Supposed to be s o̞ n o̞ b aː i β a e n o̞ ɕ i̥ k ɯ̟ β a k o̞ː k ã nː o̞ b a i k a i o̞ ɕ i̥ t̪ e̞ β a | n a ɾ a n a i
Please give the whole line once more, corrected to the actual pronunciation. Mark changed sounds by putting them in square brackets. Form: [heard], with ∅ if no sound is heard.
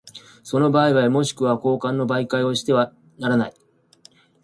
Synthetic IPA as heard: s o̞ n o̞ b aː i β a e [m] o̞ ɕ i̥ k ɯ̟ β a k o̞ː k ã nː o̞ b a i k a i o̞ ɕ i̥ t̪ e̞ β a | n a ɾ a n a i